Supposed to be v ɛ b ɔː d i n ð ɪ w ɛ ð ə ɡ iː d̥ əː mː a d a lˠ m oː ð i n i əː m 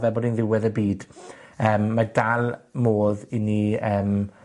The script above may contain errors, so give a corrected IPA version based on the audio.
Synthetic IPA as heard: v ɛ b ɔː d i n ð ɪ w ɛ ð ə b iː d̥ əː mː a d a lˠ m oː ð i n i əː m